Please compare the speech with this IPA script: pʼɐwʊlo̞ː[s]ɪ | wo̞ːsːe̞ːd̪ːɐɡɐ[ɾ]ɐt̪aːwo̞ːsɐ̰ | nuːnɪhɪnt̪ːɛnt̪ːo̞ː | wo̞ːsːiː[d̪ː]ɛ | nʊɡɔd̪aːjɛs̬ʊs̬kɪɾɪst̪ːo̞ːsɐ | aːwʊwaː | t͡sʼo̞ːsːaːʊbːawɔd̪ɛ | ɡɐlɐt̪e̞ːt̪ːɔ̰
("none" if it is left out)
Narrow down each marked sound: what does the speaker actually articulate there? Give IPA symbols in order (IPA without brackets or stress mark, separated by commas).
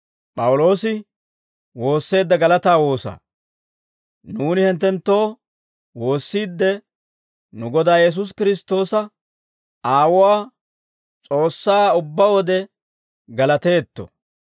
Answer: s, l, d̪ː